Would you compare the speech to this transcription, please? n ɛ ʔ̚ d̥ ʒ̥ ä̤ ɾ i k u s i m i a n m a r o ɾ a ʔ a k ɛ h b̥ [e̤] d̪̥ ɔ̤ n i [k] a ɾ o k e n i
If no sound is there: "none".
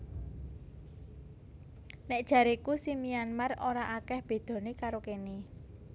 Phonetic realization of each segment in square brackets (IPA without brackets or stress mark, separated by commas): e̤, k